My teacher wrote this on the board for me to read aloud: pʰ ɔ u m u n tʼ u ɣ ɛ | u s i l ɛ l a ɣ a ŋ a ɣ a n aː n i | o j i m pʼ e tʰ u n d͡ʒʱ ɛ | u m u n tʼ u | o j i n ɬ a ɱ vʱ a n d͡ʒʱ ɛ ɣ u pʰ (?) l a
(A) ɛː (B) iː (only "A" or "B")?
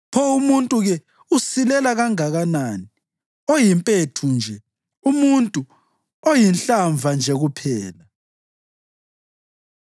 A